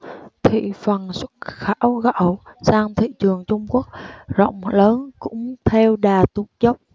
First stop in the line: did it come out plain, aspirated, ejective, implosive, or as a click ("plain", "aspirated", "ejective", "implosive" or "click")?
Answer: aspirated